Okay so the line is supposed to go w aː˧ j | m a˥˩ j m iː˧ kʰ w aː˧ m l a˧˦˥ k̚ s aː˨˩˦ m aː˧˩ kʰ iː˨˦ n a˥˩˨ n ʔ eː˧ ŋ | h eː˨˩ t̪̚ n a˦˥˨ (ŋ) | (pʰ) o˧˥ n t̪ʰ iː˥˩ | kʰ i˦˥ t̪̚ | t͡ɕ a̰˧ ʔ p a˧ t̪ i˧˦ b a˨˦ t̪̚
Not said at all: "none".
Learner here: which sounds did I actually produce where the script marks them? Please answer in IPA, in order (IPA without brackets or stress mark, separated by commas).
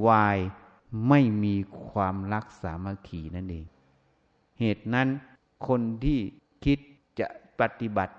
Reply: n, kʰ